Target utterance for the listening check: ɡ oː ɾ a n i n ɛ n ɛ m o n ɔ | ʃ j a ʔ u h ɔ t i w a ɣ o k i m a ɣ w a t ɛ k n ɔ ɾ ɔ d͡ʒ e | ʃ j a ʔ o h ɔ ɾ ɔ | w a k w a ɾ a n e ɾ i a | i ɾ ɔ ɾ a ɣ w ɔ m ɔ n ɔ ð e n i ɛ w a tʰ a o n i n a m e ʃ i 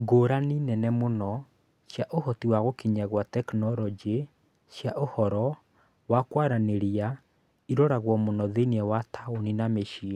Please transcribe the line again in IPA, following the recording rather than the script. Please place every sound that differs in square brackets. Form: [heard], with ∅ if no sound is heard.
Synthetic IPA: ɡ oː ɾ a n i n ɛ n ɛ m o n ɔ | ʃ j a ʔ [o] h ɔ t i w a ɣ o k i [ɲ] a ɣ w a t ɛ k n ɔ ɾ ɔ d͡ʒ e | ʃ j a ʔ o h ɔ ɾ ɔ | w a k w a ɾ a n e ɾ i a | i ɾ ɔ ɾ a ɣ w ɔ m [o] n ɔ ð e n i ɛ w a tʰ a o n i n a m e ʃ i

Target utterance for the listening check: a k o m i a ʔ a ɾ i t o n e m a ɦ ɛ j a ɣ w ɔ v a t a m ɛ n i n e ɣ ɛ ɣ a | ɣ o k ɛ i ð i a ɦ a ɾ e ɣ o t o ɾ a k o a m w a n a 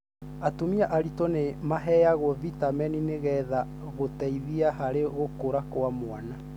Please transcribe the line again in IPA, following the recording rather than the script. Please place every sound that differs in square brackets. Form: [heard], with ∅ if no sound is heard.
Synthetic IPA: a [t] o m i a ʔ a ɾ i t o n e m a ɦ ɛ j a ɣ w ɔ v [i] t a m ɛ n i n e ɣ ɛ [ð] a | ɣ o [t] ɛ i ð i a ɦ a ɾ e ɣ o [k] o ɾ a k o a m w a n a

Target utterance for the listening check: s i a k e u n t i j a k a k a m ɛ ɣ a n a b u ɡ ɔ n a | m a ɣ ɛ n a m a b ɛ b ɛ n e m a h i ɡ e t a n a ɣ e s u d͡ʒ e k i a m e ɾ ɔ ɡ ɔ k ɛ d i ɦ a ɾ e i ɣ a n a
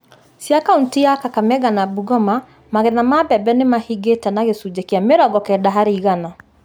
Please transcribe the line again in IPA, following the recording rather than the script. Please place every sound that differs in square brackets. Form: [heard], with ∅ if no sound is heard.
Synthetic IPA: s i a k [a] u n t i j a k a k a m ɛ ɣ a n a b u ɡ ɔ [m] a | m a ɣ ɛ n a m a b ɛ b ɛ n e m a h i ɡ e t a n a ɣ e s u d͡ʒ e k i a m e ɾ ɔ ɡ ɔ k ɛ d [a] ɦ a ɾ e i ɣ a n a

